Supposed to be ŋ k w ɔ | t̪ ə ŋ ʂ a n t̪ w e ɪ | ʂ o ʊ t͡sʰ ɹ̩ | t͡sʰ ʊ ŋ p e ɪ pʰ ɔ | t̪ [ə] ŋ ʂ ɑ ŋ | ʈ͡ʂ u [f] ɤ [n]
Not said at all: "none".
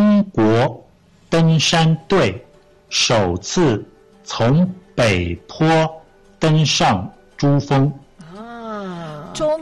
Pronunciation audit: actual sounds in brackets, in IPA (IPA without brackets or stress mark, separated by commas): ə, f, ŋ